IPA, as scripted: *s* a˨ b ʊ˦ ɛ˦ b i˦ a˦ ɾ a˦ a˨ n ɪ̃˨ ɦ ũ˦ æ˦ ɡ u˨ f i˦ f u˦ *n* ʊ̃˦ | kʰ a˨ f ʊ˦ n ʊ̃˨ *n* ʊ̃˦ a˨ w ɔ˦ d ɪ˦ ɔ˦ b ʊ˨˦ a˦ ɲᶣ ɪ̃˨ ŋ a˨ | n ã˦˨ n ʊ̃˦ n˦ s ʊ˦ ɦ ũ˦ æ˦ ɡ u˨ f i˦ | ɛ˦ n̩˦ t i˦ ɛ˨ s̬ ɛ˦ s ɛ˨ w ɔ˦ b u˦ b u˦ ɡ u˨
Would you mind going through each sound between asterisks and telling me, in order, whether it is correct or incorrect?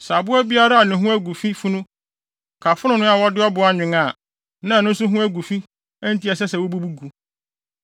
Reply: correct, correct, correct

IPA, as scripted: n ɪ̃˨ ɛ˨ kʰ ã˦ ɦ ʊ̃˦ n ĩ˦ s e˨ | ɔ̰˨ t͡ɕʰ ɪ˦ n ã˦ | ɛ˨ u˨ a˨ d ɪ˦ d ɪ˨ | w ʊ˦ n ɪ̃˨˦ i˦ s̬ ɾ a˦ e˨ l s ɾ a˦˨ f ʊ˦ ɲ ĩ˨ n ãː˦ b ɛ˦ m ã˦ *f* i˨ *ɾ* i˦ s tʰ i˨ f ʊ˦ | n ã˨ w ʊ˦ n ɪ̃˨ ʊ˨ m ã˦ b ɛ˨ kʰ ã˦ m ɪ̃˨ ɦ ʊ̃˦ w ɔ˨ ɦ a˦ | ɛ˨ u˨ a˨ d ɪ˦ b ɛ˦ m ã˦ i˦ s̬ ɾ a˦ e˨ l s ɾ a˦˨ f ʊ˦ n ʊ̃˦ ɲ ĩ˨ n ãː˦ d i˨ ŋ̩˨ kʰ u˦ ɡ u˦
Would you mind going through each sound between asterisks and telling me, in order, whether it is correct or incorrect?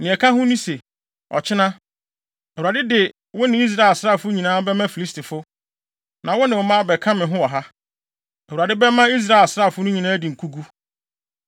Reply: correct, incorrect: l

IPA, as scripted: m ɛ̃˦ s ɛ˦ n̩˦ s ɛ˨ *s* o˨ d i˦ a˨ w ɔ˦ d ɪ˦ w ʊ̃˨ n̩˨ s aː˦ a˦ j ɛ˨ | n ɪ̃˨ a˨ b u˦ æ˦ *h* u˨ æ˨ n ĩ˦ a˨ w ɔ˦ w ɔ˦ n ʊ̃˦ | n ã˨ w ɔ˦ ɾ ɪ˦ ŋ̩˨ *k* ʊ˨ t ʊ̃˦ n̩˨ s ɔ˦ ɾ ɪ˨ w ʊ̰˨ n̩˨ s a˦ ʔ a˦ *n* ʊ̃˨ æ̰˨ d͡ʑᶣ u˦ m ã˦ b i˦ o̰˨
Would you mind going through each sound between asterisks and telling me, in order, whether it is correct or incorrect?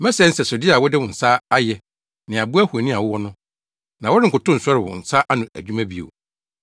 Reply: correct, correct, correct, correct

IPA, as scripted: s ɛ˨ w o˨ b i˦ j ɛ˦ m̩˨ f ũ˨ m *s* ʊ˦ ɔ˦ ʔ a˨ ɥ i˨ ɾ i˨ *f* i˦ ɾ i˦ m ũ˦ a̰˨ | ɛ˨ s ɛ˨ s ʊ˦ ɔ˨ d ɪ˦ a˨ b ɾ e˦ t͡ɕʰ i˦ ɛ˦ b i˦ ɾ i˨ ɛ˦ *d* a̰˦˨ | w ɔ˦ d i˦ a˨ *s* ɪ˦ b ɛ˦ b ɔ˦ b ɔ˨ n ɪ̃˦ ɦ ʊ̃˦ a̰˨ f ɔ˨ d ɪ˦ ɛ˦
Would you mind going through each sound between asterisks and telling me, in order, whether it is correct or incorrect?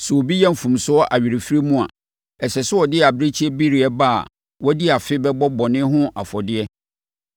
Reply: correct, correct, incorrect: b, incorrect: f

